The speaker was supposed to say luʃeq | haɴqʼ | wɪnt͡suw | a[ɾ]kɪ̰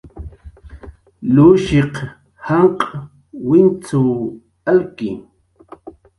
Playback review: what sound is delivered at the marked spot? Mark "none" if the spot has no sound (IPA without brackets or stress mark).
l